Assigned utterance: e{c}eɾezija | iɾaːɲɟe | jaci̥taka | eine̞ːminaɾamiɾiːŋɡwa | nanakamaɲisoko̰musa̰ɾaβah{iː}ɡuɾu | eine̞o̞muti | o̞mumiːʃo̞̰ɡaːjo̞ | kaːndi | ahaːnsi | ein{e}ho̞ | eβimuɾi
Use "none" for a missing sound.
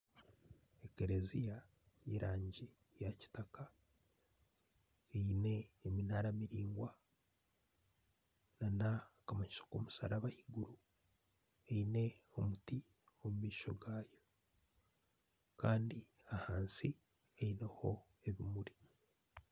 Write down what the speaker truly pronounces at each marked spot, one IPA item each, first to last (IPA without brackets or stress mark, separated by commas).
k, i, e